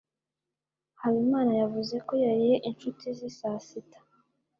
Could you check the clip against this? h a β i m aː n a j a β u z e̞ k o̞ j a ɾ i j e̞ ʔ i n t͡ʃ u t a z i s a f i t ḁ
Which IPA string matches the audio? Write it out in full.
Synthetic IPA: h a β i m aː n a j a v u z e̞ k o̞ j a ɾ i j e̞ ʔ i n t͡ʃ u t i z i s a s i t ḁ

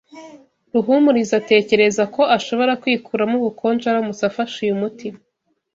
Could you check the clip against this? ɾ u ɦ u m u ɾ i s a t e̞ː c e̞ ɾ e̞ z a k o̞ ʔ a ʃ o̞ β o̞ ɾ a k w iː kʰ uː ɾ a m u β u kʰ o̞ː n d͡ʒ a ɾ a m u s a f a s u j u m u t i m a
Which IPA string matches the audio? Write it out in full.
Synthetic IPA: ɾ u ɦ u m u ɾ i z a t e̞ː c e̞ ɾ e̞ z a k o̞ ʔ a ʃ o̞ β o̞ ɾ a k w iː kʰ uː ɾ a m u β u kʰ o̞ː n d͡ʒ a ɾ a m u s a f a ʃ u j u m u t i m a

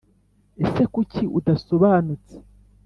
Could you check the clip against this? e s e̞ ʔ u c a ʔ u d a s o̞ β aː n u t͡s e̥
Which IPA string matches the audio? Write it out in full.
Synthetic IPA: e s e̞ k u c i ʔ u d a s o̞ β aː n u t͡s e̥

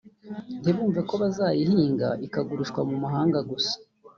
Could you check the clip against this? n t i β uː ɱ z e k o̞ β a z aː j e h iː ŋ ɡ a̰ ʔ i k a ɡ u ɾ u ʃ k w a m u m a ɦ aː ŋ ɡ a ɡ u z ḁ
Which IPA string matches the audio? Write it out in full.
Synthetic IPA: n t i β uː ɱ v e k o̞ β a z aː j i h iː ŋ ɡ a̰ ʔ i k a ɡ u ɾ u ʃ k w a m u m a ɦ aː ŋ ɡ a ɡ u s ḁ

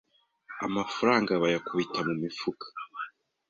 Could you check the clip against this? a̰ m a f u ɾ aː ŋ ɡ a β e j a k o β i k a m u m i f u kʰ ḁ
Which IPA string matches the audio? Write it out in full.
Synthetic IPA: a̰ m a f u ɾ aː ŋ ɡ a β a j a k u β i t a m u m i f u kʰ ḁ

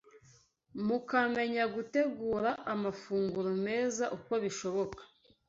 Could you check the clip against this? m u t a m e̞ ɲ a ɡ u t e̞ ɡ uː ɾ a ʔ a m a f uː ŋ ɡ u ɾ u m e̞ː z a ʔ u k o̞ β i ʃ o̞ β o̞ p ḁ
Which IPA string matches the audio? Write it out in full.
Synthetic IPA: m u k a m e̞ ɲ a ɡ u t e̞ ɡ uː ɾ a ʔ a m a f uː ŋ ɡ u ɾ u m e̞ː z a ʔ u k o̞ β i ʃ o̞ β o̞ k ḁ

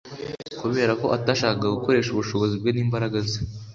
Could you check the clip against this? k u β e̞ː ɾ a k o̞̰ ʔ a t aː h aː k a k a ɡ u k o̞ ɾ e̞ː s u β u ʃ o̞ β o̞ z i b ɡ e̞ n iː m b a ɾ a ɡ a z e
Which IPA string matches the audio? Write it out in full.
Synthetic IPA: k u β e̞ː ɾ a k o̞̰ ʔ a t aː ʃ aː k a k a ɡ u k o̞ ɾ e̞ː ʃ u β u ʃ o̞ β o̞ z i b ɡ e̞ n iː m b a ɾ a ɡ a z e

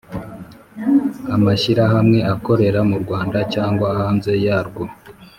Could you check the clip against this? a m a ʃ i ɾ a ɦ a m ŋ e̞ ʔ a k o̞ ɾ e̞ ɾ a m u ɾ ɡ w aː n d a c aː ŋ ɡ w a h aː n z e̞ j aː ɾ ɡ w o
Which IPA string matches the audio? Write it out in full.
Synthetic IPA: a m a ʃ i ɾ a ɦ a m ŋ e̞ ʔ a k o̞ ɾ e̞ ɾ a m u ɾ ɡ w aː n d a c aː ŋ ɡ w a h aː n z e̞ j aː ɾ ɡ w o

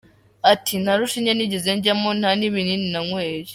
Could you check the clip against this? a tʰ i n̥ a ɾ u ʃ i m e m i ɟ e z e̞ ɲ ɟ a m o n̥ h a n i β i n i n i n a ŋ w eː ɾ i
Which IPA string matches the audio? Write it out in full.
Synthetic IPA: a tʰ i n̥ a ɾ u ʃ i ɲ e n i ɟ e z e̞ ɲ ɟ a m o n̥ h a n i β i n i n i n a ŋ w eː ɾ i

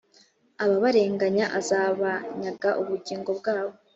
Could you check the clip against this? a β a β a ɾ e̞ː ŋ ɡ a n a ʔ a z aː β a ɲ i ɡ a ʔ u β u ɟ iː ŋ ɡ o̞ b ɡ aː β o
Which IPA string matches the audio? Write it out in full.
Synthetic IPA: a β a β a ɾ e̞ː ŋ ɡ a ɲ a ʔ a z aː β a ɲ a ɡ a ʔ u β u ɟ iː ŋ ɡ o̞ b ɡ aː β o

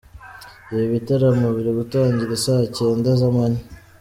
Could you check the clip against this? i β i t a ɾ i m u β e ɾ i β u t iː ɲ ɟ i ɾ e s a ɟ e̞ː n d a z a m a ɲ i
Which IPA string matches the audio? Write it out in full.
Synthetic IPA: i β i t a ɾ a m u β i ɾ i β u t aː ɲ ɟ i ɾ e s a c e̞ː n d a z a m a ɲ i

